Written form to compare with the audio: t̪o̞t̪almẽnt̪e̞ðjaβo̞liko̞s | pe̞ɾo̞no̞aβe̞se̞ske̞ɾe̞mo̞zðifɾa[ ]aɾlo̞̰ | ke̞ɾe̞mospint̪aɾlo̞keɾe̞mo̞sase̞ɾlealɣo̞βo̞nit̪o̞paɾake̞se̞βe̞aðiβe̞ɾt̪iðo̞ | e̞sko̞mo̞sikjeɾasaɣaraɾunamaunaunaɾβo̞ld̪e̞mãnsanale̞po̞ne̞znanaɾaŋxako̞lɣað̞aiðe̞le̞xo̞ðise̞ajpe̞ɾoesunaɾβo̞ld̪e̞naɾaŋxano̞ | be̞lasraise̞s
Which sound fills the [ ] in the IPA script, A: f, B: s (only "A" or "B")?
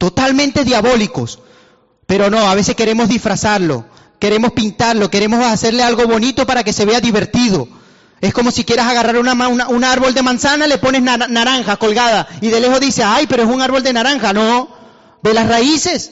B